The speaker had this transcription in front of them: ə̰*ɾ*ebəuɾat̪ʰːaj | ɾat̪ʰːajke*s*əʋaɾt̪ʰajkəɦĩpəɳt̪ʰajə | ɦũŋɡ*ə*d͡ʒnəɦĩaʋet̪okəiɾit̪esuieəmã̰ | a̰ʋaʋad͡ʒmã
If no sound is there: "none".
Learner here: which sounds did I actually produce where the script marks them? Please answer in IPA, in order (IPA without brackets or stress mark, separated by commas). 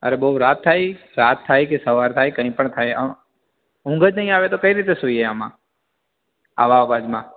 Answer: ɾ, s, ə